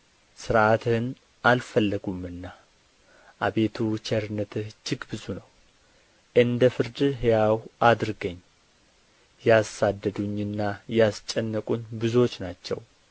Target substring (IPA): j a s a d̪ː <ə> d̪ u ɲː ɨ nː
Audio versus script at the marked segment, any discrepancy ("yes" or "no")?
no